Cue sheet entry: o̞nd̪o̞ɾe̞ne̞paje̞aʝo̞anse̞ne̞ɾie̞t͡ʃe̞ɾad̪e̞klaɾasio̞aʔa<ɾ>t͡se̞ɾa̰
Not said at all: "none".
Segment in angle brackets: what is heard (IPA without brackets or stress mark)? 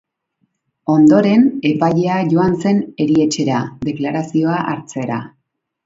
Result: ɾ